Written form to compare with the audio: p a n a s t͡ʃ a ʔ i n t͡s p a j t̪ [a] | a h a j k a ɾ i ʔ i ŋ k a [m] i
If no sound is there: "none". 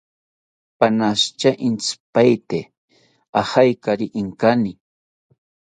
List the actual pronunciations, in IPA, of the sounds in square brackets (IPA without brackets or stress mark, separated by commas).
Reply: e, n